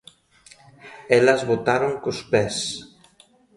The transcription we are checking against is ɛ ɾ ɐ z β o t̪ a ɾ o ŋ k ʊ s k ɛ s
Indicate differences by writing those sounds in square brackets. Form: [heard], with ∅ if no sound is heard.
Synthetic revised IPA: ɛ [l] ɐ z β o t̪ a ɾ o ŋ k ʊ s [p] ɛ s

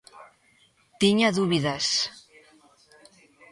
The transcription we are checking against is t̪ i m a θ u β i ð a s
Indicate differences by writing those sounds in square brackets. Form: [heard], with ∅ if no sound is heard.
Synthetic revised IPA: t̪ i [ɲ] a [ð] u β i ð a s

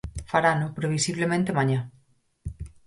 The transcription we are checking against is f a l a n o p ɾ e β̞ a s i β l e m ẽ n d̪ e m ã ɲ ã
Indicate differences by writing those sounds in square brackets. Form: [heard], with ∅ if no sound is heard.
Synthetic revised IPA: f a [ɾ] a n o p ɾ e β̞ [i] s i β l e m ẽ n [t̪] e m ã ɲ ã

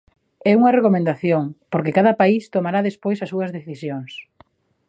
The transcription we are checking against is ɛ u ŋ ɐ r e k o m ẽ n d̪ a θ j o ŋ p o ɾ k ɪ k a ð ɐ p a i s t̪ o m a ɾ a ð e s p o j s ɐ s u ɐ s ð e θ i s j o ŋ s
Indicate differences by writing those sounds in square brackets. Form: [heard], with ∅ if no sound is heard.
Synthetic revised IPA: ɛ u ŋ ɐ r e k o m ẽ n d̪ a θ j o ŋ p o ɾ k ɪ k a ð ɐ p a i s t̪ o m a ɾ a ð e s p o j s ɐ s u ɐ [z] ð e θ i s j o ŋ s

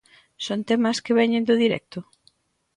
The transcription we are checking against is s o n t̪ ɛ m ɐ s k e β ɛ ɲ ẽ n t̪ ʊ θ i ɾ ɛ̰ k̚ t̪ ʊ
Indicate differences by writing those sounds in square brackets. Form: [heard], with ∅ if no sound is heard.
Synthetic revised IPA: s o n t̪ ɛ m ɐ s k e β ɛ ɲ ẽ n [d̪] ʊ [ð] i ɾ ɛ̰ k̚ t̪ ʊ

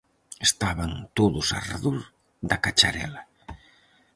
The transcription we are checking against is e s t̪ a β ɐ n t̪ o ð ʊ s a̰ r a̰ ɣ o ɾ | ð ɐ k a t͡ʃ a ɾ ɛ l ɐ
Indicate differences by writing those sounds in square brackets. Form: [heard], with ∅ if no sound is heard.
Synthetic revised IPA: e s t̪ a β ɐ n t̪ o ð ʊ s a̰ r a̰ [ð] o ɾ | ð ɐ k a t͡ʃ a ɾ ɛ l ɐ

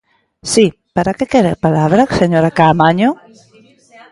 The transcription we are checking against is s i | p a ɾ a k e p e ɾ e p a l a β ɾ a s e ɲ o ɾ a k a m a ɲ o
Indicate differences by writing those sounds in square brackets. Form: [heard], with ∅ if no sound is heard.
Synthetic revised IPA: s i | p a ɾ a k e [k] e ɾ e p a l a β ɾ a s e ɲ o ɾ a k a m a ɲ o

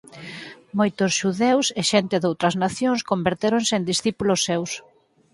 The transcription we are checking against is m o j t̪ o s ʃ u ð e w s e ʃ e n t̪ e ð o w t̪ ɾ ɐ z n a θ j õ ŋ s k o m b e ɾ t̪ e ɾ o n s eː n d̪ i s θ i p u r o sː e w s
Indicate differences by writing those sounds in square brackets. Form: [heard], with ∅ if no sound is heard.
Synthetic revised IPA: m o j t̪ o s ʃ u ð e w s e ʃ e n t̪ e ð o w t̪ ɾ ɐ z n a θ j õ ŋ s k o m b e ɾ t̪ e ɾ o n s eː n d̪ i s θ i p u [l] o sː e w s

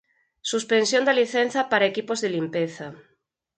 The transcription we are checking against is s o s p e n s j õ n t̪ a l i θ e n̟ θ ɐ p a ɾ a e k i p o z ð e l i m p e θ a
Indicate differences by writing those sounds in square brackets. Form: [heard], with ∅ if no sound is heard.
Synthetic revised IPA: s [u] s p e n s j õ n [d̪] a l i θ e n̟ θ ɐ p a ɾ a e k i p o z ð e l i m p e θ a

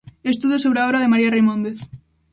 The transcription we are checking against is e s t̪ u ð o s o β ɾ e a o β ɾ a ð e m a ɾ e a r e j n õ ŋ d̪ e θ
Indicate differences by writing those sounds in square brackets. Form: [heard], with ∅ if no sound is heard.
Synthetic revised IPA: e s t̪ u ð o s o β ɾ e a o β ɾ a ð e m a ɾ [i] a r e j [m] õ [n] d̪ e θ

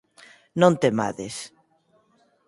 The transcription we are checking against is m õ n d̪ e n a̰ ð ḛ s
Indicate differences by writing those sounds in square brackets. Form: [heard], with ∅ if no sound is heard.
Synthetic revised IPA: [n] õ n [t̪] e [m] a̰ ð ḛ s

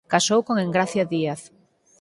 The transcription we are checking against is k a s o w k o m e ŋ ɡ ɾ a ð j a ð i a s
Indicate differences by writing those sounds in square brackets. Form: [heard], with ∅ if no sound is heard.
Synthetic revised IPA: k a s o w k o [ŋ] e ŋ ɡ ɾ a [θ] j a ð i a [θ]

